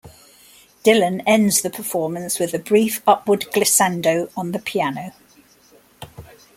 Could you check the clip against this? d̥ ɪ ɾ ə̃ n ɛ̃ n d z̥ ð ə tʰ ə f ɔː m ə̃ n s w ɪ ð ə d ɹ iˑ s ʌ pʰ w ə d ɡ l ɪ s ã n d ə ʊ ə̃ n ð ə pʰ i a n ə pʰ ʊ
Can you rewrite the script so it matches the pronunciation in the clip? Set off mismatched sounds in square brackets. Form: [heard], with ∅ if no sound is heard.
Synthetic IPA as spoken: d̥ ɪ [l] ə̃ n ɛ̃ n d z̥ ð ə [pʰ] ə f ɔː m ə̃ n s w ɪ ð ə [b] ɹ iˑ [f] ʌ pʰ w ə d ɡ l ɪ s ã n d ə ʊ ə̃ n ð ə pʰ i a n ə [∅] ʊ